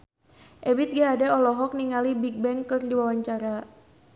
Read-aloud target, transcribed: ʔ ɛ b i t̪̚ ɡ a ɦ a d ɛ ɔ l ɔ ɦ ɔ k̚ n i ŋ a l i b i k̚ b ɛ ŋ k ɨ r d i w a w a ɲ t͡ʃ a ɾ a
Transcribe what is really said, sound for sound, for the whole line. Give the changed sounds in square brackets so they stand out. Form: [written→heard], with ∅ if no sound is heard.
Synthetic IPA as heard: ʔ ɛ b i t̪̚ ɡ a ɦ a d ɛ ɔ l ɔ ɦ ɔ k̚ n i ŋ a l i b i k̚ b ɛ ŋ k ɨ r d i w a w a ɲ t͡ʃ a ɾ a